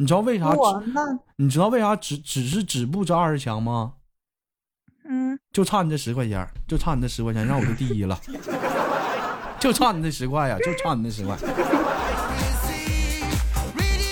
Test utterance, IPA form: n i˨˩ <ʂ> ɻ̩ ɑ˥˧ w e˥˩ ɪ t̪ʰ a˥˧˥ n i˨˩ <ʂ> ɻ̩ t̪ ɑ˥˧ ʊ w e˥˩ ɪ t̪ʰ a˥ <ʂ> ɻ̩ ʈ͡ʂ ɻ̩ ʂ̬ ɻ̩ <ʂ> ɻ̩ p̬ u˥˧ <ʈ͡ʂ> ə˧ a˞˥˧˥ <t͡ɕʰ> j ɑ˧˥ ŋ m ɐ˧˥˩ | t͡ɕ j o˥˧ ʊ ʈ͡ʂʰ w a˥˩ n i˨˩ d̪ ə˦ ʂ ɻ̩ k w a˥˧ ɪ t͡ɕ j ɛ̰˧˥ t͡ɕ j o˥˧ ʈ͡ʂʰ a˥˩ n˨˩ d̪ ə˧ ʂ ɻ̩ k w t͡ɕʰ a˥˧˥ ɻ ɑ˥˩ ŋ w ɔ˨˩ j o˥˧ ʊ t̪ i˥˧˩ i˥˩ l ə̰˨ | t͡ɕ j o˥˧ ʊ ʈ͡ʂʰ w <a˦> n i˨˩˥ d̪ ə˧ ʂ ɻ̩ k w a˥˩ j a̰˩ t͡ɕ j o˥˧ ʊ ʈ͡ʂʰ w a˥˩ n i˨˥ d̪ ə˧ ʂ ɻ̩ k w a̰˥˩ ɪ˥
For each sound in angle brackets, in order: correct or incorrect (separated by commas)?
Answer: incorrect, incorrect, incorrect, incorrect, correct, correct, incorrect